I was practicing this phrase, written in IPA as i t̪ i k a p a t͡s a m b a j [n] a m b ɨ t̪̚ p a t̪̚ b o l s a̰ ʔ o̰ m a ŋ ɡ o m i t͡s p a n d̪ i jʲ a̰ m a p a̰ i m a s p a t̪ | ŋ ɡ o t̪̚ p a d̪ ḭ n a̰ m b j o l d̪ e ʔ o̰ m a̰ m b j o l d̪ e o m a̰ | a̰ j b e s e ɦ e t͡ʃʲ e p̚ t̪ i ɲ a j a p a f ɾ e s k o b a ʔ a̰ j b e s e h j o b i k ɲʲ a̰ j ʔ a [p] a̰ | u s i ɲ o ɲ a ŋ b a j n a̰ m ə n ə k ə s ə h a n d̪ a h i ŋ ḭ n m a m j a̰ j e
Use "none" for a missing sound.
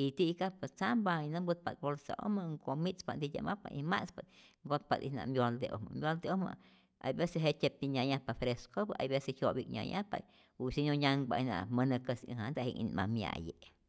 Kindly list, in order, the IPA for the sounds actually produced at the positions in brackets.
n, p

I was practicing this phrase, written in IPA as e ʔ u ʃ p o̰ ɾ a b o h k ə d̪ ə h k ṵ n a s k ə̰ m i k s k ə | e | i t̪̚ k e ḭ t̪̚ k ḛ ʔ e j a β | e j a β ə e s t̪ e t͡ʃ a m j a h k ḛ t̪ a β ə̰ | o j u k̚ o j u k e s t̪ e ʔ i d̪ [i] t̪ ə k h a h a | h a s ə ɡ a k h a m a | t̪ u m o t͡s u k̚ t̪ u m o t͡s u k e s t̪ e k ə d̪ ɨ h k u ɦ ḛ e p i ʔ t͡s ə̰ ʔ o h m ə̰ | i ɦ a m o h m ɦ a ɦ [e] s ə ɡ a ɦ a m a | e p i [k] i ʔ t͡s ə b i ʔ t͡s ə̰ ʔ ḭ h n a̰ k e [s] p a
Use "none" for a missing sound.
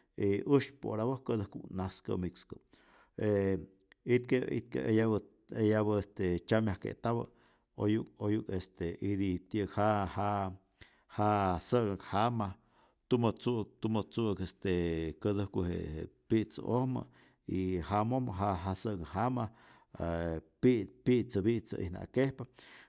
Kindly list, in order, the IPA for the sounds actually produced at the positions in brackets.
i, a, p, h

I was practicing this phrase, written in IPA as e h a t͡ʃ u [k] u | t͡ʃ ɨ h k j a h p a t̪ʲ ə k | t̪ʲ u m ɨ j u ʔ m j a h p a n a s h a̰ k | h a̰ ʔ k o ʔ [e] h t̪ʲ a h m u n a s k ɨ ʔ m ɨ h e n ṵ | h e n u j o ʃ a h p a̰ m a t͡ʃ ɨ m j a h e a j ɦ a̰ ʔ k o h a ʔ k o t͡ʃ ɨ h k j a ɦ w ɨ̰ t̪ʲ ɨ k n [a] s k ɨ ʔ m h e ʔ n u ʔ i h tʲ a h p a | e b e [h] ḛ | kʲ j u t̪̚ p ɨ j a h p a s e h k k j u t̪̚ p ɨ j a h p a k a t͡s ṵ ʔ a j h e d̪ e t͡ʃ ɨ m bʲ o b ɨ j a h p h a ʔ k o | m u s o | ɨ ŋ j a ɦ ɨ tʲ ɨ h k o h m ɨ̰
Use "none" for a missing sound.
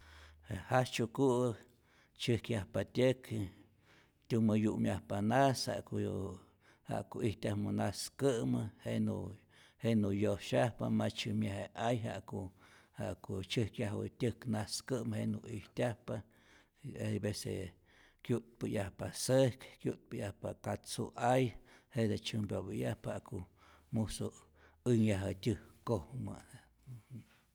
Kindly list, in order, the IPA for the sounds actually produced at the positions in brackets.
k, i, a, s

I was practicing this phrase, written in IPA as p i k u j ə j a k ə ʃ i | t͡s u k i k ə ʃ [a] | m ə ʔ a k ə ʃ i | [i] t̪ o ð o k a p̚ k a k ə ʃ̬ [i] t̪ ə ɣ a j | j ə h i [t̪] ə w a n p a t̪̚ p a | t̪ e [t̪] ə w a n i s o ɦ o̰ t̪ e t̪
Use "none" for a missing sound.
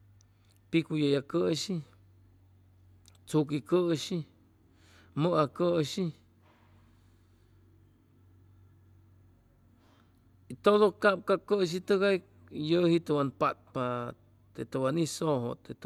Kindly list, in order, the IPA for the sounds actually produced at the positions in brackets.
i, i, i, t̪, t̪

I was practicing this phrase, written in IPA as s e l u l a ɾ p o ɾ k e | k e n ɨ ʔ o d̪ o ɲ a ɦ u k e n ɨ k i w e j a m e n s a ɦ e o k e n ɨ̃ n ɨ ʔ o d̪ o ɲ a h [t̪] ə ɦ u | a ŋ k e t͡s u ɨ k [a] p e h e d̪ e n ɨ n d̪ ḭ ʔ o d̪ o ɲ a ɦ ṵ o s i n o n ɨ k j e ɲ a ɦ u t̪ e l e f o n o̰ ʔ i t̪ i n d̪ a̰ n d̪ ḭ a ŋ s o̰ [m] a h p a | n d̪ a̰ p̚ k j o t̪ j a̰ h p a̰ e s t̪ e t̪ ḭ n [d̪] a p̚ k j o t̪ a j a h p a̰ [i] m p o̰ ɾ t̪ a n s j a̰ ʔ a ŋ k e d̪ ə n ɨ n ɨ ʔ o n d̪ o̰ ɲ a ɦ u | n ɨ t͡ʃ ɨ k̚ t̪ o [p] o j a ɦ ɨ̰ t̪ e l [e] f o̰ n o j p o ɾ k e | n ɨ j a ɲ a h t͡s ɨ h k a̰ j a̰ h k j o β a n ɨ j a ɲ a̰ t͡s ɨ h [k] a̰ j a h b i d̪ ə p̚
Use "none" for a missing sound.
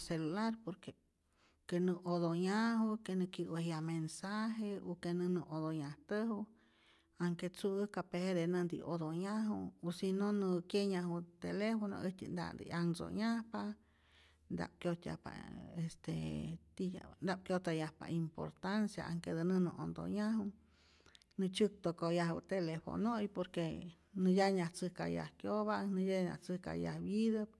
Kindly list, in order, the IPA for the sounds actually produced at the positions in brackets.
t̪, a, ɲ, d̪, i, k, e, k

